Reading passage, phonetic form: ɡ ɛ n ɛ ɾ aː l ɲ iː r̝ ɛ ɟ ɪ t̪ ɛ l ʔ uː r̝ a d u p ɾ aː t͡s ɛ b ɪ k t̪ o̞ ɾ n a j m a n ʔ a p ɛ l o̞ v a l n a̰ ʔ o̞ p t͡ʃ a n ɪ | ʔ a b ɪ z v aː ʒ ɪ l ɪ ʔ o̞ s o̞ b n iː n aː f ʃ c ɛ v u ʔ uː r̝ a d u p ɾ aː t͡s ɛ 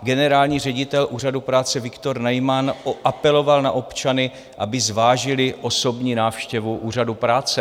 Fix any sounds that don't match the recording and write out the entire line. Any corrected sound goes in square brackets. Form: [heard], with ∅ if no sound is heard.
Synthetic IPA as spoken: ɡ ɛ n ɛ ɾ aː l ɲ iː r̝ ɛ ɟ ɪ t̪ ɛ l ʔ uː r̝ a d u p ɾ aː t͡s ɛ [v] ɪ k t̪ o̞ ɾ n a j m a n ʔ a p ɛ l o̞ v a l n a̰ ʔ o̞ p t͡ʃ a n ɪ | ʔ a b ɪ z v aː ʒ ɪ l ɪ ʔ o̞ s o̞ b [ɲ] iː n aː f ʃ c ɛ v u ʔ uː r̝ a d u p ɾ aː t͡s ɛ